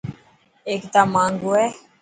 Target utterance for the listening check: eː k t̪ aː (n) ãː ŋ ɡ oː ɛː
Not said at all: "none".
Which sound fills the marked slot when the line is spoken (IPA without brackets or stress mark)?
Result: m